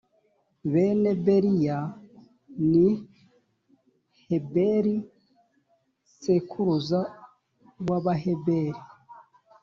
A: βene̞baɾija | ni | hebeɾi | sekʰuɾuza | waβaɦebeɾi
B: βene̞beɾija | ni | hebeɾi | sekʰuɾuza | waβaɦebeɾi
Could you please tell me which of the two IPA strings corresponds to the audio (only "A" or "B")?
B